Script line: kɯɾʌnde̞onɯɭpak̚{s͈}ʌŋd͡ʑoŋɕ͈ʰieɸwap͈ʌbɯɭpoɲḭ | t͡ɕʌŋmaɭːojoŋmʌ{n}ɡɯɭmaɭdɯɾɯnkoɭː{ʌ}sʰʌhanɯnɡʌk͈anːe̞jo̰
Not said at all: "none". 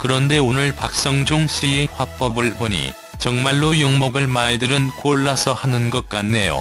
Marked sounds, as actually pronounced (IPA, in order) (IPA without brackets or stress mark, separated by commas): s͈, none, a